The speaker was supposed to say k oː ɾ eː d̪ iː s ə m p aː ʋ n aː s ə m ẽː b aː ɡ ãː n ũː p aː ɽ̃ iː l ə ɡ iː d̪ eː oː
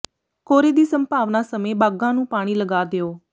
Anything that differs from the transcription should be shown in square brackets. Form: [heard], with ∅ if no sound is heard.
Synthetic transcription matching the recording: k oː ɾ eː d̪ iː s ə m p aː ʋ n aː s ə m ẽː b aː ɡ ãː n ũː p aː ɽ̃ iː l ə ɡ [aː] d̪ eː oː